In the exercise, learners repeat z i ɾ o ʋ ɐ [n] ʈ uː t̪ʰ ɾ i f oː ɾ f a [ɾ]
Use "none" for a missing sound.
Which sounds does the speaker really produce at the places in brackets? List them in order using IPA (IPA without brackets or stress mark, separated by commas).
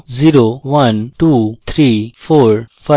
n, none